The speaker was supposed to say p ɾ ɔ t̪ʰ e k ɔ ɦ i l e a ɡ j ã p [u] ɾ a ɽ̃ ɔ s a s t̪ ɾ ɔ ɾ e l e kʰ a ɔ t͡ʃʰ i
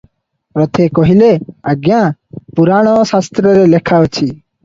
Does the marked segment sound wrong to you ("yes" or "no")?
no